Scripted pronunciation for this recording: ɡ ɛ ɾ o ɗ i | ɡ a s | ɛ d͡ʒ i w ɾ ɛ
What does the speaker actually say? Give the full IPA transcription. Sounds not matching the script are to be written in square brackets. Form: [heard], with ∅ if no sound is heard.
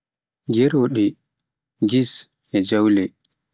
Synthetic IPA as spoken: ɡ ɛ ɾ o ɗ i | ɡ [i] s | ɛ d͡ʒ [a] w [l] ɛ